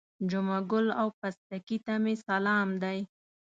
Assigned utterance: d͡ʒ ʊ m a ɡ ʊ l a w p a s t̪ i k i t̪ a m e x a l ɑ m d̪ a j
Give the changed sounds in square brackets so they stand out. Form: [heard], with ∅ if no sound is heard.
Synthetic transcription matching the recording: d͡ʒ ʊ m a ɡ ʊ l a w p a s t̪ [a] k i t̪ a m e [s] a l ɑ m d̪ a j